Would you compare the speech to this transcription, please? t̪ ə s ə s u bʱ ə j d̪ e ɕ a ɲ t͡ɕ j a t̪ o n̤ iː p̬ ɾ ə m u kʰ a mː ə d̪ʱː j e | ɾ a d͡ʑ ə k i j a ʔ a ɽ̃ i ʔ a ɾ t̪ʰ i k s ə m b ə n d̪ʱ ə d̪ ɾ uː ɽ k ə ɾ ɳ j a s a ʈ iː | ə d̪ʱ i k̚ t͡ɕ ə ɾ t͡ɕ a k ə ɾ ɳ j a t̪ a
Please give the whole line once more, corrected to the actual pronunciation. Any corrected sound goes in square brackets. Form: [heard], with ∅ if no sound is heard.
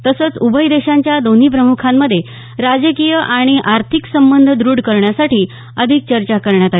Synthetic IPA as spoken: t̪ ə s ə [t͡s] u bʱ ə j d̪ e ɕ a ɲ t͡ɕ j a [d̪] o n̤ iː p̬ ɾ ə m u kʰ a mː ə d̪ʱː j e | ɾ a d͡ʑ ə k i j [ə] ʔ a ɽ̃ i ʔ a ɾ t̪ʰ i k s ə m b ə n d̪ʱ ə d̪ ɾ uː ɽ k ə ɾ ɳ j a s a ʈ iː | ə d̪ʱ i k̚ t͡ɕ ə ɾ t͡ɕ a k ə ɾ ɳ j a t̪ a